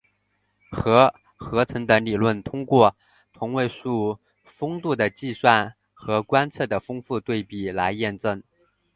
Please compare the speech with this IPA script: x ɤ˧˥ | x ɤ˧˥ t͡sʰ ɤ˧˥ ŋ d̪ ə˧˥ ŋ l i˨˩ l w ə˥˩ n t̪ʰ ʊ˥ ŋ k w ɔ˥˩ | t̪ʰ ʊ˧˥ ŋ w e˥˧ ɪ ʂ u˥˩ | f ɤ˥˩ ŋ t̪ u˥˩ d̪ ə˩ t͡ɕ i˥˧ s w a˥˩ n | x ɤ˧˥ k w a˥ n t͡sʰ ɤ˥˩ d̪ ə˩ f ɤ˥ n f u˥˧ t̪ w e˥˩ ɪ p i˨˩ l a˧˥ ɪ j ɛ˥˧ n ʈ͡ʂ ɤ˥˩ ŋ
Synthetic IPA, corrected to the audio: x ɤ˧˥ | x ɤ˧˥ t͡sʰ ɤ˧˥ ŋ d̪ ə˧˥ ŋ l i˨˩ l w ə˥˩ n t̪ʰ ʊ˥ ŋ k w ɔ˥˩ | t̪ʰ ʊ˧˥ ŋ w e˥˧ ɪ ʂ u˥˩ | f ɤ˥ ŋ t̪ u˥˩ d̪ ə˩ t͡ɕ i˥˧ s w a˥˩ n | x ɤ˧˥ k w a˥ n t͡sʰ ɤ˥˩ d̪ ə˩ f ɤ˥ ŋ f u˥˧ t̪ w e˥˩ ɪ p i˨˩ l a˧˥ ɪ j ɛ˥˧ n ʈ͡ʂ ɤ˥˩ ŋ